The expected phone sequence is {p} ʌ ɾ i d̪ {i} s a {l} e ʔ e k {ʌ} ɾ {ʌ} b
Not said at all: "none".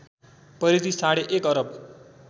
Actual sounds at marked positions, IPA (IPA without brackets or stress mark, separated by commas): p, i, ɽ, ʌ, ʌ